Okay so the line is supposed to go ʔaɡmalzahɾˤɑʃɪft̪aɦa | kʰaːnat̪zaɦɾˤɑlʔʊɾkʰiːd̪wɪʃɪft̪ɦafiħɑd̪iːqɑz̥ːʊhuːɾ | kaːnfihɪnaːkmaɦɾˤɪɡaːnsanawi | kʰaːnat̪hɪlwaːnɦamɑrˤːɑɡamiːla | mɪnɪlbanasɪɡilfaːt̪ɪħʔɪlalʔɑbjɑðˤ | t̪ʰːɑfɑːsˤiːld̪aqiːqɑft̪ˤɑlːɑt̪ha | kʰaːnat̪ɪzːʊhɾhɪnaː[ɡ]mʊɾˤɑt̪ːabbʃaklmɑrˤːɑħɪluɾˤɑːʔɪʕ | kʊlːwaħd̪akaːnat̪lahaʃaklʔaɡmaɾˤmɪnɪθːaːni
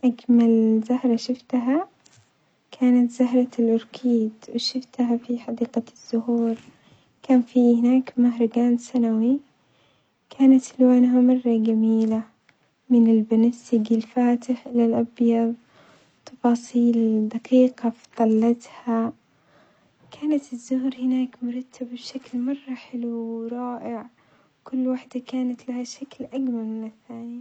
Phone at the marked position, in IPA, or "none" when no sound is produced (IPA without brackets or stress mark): k